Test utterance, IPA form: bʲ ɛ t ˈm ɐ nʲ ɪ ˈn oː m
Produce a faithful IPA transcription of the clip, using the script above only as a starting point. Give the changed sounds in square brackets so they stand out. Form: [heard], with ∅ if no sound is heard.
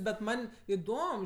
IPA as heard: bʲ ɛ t ˈm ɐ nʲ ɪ [ˈd] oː m